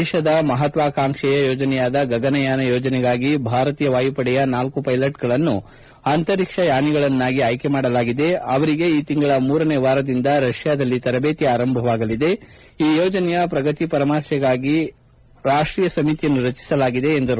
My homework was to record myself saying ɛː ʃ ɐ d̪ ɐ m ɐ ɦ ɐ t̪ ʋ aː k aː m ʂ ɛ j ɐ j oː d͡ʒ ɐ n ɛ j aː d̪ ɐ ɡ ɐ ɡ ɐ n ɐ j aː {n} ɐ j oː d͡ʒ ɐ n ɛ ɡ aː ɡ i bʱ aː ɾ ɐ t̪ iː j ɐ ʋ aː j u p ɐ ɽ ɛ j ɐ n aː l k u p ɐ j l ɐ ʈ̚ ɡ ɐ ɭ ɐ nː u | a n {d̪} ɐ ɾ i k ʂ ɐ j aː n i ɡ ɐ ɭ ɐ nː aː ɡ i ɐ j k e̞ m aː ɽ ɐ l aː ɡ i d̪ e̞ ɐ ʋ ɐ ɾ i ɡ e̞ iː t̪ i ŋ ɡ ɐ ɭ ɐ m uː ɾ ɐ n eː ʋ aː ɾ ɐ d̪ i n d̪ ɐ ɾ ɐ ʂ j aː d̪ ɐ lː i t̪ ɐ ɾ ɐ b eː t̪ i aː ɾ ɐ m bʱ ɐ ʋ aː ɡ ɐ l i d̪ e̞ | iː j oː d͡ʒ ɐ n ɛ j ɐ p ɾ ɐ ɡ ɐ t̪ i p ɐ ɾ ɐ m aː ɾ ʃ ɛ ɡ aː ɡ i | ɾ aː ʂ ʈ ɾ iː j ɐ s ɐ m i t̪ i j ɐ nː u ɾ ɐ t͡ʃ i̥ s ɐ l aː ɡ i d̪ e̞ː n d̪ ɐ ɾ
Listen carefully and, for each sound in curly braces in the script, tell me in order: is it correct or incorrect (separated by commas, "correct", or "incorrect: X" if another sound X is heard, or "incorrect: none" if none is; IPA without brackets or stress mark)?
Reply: correct, incorrect: t̪